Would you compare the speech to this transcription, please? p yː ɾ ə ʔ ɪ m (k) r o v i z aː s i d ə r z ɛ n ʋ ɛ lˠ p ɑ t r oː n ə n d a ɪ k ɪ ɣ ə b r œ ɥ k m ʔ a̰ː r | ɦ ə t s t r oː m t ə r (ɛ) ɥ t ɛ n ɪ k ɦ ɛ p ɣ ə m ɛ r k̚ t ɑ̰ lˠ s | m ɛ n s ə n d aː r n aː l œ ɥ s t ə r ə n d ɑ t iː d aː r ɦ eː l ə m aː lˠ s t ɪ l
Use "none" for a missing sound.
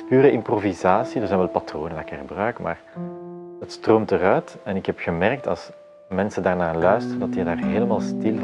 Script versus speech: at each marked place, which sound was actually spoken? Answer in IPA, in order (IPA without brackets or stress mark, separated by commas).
p, œ